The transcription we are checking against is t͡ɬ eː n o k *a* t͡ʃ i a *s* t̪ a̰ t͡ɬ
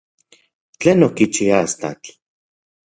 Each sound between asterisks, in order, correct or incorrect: incorrect: i, correct

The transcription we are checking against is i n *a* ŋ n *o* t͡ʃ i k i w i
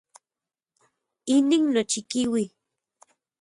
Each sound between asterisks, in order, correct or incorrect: incorrect: i, correct

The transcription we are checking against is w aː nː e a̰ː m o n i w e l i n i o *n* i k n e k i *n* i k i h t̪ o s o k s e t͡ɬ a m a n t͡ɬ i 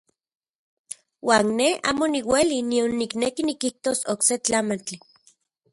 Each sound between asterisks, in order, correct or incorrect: incorrect: nː, correct

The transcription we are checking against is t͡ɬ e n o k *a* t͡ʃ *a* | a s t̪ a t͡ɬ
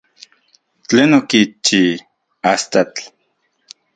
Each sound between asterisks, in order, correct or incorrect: incorrect: i, incorrect: i

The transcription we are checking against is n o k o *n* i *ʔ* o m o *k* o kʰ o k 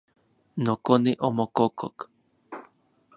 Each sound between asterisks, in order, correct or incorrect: correct, correct, correct

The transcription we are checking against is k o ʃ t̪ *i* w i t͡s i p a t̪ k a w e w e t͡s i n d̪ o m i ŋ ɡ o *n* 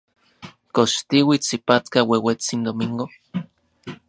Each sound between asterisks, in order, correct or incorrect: correct, incorrect: none

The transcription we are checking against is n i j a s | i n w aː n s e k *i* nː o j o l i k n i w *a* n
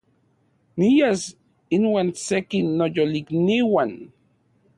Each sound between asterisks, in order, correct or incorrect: correct, correct

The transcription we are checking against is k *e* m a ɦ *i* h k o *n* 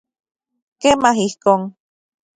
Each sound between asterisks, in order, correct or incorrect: correct, correct, incorrect: ŋ

